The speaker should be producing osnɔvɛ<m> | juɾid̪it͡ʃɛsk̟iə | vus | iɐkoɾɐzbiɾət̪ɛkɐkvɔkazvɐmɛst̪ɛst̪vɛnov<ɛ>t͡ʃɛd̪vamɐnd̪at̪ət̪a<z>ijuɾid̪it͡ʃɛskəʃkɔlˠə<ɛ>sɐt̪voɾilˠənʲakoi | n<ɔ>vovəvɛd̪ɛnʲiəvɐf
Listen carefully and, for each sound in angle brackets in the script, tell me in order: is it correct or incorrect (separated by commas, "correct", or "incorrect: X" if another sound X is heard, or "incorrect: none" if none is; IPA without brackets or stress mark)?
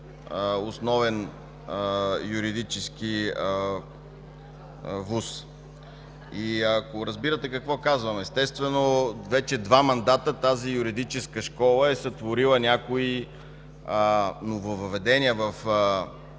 incorrect: n, correct, correct, correct, incorrect: o